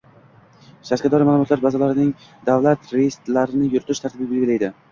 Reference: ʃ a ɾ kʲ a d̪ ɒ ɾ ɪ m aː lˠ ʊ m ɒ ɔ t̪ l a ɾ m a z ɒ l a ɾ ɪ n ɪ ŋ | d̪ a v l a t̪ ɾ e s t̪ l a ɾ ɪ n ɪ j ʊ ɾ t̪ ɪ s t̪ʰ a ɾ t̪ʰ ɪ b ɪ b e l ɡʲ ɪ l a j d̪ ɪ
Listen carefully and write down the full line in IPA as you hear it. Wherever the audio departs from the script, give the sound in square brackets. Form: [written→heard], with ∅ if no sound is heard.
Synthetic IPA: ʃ a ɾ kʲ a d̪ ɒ ɾ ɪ m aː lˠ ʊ m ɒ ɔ t̪ l a ɾ [m→b] a z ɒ l a ɾ ɪ n ɪ ŋ | d̪ a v l a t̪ ɾ e s t̪ l a ɾ ɪ n ɪ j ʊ ɾ t̪ ɪ [s→ʃ] t̪ʰ a ɾ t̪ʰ ɪ b ɪ b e l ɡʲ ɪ l a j d̪ ɪ